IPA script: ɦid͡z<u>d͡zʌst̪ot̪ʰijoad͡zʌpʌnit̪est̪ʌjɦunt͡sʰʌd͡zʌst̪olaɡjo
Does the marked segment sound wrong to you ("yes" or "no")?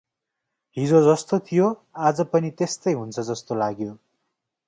yes